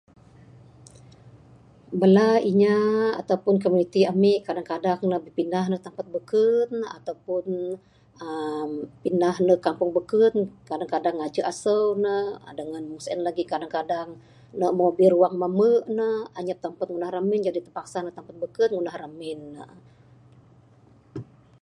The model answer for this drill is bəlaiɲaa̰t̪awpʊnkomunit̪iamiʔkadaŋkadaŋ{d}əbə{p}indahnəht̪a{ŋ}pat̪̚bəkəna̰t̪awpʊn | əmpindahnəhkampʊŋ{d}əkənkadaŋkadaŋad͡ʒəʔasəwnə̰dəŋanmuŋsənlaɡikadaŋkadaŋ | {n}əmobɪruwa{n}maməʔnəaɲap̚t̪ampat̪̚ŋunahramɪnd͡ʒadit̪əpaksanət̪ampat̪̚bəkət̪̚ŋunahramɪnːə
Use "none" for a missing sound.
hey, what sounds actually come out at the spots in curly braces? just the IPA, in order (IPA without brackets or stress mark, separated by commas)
n, p, m, b, n, ŋ